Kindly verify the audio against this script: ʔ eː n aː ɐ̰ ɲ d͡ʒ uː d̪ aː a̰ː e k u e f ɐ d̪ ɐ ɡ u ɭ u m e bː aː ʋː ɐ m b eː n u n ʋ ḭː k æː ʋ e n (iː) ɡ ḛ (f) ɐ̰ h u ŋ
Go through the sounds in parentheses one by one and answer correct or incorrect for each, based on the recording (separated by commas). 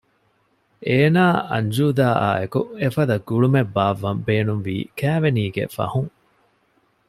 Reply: correct, correct